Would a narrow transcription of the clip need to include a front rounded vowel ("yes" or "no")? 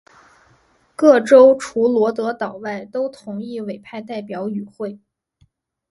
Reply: yes